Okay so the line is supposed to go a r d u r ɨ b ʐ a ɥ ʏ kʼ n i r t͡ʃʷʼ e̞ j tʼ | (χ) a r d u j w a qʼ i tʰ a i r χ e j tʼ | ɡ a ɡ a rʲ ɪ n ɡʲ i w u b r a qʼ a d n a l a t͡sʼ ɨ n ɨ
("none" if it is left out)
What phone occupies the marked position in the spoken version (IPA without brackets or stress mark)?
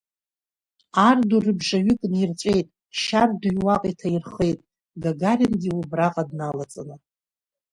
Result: ʃ